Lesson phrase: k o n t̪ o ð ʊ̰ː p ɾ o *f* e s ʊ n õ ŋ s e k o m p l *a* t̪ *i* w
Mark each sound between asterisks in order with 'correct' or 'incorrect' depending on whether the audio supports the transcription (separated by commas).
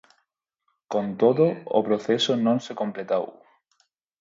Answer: incorrect, incorrect, incorrect